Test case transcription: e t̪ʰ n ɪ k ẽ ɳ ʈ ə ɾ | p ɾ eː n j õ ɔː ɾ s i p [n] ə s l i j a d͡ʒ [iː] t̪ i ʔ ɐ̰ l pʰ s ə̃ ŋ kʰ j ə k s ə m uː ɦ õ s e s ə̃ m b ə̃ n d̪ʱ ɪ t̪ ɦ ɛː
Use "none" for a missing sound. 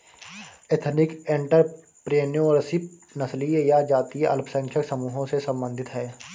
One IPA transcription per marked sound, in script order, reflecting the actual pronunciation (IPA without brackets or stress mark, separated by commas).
n, aː